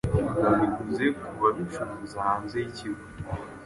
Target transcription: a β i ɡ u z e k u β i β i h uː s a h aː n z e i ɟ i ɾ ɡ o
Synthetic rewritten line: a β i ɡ u z e k u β a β i f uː z a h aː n z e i c i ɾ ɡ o